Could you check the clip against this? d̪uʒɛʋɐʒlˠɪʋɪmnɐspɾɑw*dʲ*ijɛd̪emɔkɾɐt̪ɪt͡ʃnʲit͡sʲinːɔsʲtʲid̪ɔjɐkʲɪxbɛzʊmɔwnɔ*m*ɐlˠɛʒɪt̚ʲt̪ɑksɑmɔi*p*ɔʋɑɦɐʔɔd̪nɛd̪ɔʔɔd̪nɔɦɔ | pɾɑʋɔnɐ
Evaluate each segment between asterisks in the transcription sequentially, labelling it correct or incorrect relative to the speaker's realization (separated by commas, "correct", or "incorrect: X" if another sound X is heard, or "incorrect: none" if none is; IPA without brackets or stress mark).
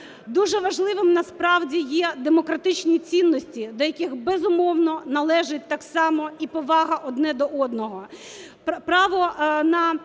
correct, incorrect: n, correct